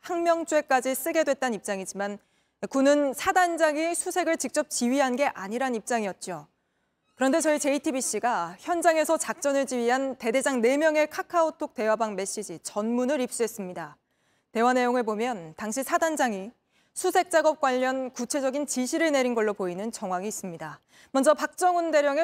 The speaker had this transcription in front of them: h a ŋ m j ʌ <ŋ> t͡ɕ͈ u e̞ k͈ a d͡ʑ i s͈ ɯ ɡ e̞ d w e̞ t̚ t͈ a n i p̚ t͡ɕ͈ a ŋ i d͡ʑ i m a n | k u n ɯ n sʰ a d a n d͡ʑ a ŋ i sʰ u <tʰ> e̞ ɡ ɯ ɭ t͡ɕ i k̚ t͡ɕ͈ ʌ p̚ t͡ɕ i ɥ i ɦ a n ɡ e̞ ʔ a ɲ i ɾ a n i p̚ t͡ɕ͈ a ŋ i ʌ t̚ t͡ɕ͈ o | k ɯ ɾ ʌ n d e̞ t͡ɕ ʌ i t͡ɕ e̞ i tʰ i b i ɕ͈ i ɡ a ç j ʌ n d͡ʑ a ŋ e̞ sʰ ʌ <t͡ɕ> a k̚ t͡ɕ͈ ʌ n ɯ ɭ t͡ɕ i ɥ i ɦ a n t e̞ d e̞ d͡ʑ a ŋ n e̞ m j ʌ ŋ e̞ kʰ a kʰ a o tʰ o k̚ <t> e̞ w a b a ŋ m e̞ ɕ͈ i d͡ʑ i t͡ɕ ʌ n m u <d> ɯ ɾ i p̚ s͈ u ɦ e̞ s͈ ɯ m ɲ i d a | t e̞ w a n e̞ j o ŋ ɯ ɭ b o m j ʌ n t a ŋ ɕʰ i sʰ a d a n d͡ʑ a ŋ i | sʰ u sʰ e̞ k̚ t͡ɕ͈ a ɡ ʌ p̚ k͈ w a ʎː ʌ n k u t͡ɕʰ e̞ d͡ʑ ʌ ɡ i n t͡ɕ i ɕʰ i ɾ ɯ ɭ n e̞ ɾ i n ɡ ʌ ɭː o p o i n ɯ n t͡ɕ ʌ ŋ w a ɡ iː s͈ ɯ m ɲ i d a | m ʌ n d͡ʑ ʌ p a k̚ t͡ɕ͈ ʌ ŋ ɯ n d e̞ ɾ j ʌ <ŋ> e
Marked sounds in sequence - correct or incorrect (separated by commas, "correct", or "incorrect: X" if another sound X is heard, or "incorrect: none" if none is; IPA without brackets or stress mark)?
correct, incorrect: sʰ, correct, correct, incorrect: n, correct